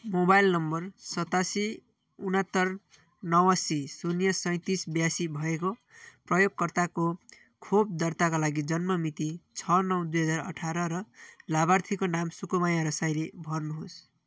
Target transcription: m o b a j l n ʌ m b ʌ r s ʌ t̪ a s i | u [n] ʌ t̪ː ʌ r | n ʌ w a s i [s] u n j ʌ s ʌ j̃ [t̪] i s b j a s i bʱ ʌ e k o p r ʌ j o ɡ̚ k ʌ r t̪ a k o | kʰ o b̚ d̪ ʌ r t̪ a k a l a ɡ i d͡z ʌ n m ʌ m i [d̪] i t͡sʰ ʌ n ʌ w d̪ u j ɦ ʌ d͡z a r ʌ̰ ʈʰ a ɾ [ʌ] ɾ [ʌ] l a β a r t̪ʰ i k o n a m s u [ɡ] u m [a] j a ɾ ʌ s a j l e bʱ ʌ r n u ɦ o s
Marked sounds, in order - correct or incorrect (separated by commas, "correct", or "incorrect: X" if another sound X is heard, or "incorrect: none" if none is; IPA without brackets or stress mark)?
correct, correct, correct, incorrect: t̪, correct, correct, incorrect: k, correct